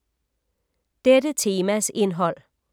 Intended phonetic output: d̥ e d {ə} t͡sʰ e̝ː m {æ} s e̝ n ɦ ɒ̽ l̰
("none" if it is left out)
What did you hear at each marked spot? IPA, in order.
ə, æ

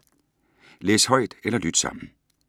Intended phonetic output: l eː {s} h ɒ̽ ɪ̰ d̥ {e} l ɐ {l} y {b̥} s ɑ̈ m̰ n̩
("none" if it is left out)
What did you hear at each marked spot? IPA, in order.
s, e, l, d̥

